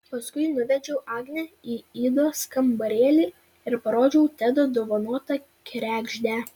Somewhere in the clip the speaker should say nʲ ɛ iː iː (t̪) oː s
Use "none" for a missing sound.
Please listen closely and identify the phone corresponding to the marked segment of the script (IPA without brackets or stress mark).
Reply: d̪